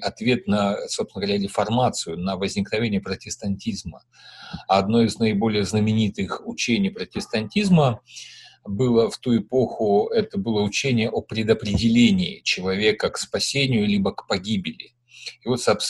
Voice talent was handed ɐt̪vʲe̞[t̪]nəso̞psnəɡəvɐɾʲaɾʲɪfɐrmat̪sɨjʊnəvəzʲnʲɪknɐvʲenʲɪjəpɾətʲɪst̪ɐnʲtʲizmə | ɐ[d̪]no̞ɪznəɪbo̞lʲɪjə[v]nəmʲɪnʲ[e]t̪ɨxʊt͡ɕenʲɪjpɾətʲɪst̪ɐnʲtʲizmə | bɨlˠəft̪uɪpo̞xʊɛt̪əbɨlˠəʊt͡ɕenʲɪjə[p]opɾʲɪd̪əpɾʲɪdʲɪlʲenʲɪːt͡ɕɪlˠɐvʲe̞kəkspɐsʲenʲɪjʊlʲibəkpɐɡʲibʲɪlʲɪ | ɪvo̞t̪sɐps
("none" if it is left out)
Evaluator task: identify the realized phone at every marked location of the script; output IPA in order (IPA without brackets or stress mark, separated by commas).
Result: t̪, d̪, z, i, ʔ